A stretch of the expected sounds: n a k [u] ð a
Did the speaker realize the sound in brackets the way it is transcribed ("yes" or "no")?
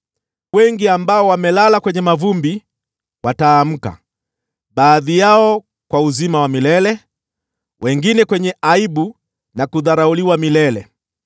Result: yes